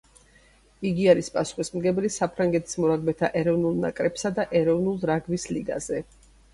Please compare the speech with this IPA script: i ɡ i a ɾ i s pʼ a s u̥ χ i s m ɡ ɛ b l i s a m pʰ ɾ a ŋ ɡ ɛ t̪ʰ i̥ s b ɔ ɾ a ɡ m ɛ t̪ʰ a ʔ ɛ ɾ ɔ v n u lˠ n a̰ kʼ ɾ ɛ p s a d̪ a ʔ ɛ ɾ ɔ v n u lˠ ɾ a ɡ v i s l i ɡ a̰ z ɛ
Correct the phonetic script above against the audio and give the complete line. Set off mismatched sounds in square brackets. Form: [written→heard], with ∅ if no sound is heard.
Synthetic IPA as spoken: i ɡ i a ɾ i s pʼ a s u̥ χ i s m ɡ ɛ b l i s a [m→∅] pʰ ɾ a ŋ ɡ ɛ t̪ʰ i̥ s [b→m] ɔ ɾ a ɡ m ɛ t̪ʰ a ʔ ɛ ɾ ɔ v n u lˠ n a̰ kʼ ɾ ɛ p s a d̪ a ʔ ɛ ɾ ɔ v n u lˠ ɾ a ɡ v i s l i ɡ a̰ z ɛ